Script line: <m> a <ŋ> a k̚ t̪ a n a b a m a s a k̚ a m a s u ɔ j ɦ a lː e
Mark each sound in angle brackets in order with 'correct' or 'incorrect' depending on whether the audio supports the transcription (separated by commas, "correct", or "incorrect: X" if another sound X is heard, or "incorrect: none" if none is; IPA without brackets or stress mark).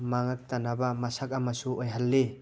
correct, correct